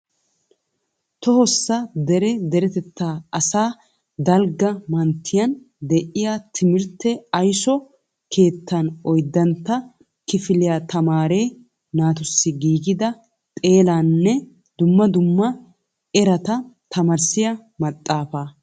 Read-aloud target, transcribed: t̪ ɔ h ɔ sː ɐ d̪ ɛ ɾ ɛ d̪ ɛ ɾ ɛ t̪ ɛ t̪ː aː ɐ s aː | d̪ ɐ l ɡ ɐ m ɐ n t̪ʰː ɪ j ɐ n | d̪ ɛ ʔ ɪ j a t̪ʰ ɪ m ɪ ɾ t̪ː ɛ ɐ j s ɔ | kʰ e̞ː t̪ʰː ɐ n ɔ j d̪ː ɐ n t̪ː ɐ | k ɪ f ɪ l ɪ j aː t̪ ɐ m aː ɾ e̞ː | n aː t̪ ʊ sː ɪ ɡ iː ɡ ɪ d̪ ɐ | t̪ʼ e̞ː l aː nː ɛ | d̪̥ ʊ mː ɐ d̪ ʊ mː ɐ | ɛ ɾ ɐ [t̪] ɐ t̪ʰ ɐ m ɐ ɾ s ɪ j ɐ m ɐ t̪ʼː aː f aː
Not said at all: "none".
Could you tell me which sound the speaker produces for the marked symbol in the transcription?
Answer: t̪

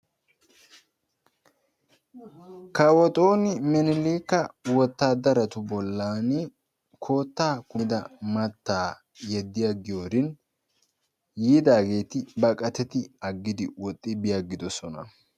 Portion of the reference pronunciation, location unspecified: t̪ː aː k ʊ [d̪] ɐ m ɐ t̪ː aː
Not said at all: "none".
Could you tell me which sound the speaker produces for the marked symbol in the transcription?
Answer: d̪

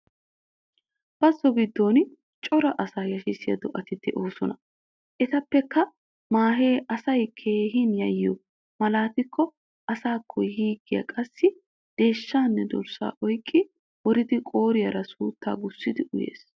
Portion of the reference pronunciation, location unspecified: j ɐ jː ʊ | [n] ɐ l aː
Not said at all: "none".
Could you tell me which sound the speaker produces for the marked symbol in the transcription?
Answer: m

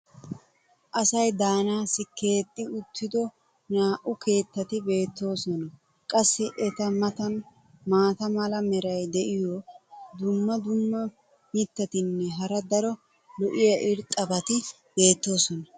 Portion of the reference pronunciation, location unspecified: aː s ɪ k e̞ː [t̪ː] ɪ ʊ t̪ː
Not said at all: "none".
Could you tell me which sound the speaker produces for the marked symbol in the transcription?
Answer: t̪ʼː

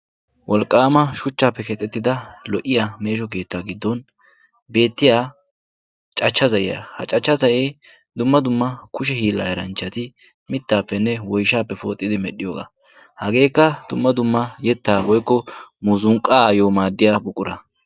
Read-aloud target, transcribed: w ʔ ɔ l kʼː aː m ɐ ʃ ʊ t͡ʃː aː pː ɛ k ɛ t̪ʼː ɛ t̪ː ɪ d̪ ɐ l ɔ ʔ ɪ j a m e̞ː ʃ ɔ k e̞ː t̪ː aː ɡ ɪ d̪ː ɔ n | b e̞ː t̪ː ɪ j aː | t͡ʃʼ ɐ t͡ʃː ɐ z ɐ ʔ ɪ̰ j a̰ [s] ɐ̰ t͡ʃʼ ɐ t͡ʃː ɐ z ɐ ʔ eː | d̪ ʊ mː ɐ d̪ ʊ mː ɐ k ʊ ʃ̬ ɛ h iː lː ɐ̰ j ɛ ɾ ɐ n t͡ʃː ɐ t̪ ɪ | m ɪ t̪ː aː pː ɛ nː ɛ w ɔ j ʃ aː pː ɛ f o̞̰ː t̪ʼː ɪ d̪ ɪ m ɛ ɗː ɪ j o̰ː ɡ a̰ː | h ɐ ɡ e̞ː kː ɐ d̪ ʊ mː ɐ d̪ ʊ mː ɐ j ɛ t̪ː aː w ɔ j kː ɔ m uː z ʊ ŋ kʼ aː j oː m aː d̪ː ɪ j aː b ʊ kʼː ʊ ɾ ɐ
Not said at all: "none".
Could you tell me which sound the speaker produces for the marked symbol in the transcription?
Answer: h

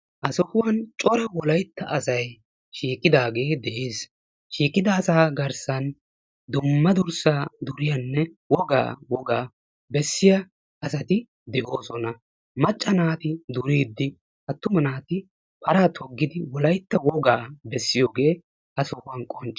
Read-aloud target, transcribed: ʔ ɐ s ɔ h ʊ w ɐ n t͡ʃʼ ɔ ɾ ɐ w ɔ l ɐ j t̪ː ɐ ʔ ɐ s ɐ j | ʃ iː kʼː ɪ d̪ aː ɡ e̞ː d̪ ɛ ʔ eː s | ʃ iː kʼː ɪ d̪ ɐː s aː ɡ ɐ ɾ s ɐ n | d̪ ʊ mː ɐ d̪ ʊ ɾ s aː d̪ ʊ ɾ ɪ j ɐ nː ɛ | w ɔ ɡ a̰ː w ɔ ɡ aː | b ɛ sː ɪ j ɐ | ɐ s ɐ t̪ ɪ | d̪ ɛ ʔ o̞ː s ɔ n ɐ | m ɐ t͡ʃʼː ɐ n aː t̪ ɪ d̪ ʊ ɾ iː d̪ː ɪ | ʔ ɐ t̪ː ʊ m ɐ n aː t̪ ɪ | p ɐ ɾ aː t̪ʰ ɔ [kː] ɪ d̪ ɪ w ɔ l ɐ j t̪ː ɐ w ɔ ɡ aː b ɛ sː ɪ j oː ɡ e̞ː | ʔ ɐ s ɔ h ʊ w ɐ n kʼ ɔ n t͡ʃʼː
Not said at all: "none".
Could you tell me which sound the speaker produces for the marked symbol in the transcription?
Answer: ɡː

